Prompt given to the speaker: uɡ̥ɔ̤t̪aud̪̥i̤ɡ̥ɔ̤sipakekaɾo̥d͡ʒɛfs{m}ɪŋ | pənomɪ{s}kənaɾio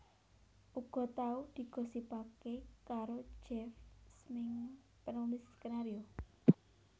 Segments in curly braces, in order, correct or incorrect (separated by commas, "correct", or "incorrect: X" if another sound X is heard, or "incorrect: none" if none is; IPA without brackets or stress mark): correct, correct